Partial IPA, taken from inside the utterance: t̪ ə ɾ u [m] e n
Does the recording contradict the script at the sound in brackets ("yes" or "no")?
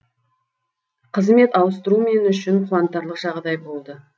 no